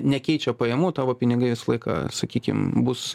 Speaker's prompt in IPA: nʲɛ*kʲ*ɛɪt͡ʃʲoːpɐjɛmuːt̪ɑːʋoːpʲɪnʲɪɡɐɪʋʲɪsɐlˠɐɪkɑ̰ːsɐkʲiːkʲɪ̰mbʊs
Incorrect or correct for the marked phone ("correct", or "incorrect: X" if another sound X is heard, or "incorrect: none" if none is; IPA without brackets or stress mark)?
correct